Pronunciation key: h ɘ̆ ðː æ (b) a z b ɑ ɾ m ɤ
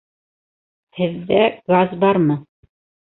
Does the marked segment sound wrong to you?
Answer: yes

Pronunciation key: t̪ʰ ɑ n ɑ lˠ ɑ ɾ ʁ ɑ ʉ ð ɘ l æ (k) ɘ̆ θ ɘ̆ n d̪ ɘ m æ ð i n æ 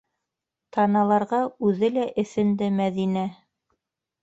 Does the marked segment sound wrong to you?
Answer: yes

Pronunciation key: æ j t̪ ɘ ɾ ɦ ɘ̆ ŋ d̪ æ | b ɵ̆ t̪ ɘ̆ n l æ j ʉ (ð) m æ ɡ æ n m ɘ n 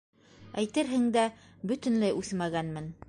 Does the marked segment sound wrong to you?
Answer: yes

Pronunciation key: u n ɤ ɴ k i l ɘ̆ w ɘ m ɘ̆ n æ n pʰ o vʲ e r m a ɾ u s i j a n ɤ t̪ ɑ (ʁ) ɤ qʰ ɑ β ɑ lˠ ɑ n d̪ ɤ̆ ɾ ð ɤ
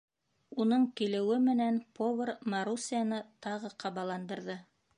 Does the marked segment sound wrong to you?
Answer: no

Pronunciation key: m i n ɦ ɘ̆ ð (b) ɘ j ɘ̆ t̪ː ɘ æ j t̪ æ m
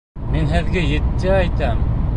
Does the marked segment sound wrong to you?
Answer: yes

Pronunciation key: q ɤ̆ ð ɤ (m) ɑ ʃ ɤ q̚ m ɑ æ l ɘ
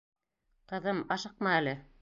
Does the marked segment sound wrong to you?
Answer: no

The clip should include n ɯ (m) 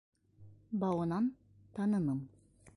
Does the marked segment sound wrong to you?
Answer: no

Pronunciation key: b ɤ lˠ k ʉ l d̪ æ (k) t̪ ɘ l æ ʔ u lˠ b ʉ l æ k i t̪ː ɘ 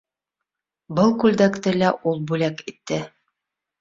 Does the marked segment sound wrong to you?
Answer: no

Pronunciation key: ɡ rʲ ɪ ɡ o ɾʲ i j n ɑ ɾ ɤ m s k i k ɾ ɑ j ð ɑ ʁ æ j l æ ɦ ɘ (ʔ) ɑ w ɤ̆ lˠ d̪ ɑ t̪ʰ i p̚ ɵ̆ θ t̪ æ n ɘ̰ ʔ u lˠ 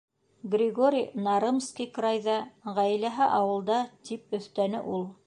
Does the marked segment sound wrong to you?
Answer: no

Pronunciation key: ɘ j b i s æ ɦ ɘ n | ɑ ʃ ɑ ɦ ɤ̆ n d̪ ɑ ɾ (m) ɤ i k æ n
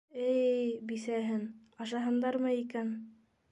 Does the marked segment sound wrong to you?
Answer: no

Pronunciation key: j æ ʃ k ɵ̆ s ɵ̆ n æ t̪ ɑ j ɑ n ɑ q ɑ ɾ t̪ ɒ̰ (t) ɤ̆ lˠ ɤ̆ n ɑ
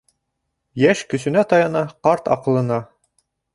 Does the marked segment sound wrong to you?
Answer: yes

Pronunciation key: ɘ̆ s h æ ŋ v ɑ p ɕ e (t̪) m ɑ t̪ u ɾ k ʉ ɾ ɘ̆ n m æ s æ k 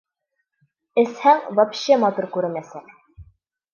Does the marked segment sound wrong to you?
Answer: yes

